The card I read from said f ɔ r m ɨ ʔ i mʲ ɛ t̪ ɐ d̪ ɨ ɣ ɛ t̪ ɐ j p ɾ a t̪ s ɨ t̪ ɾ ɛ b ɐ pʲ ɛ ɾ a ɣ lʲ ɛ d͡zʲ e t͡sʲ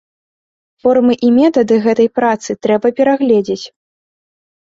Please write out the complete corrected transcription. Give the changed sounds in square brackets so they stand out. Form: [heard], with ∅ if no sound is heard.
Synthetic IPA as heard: f ɔ r m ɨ ʔ i mʲ ɛ t̪ ɐ d̪ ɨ ɣ ɛ t̪ ɐ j p ɾ a t̪ s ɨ t̪ ɾ ɛ b ɐ pʲ ɛ ɾ a ɣ lʲ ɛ d͡zʲ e t͡sʲ